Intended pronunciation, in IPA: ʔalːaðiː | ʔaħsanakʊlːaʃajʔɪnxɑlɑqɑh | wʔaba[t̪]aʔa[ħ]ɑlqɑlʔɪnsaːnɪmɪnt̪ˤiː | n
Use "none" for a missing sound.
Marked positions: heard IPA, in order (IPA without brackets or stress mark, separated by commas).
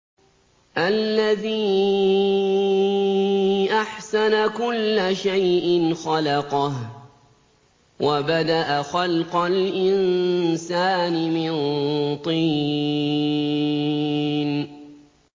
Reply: d̪, x